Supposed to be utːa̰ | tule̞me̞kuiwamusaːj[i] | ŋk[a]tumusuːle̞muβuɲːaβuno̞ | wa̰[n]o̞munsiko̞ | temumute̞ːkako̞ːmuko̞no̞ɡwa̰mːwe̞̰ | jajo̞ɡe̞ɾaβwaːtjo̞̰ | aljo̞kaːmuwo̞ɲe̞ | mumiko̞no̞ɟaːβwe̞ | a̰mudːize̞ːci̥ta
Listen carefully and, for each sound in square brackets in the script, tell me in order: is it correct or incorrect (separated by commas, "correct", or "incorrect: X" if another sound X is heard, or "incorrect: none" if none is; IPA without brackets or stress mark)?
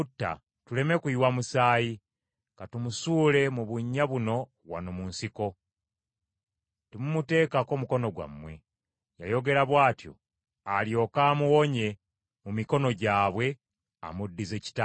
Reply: correct, correct, correct